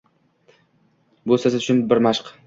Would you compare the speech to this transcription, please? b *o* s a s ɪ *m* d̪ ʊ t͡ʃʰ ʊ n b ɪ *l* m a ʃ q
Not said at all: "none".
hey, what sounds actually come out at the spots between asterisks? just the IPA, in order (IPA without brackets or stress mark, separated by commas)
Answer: o, none, ɾ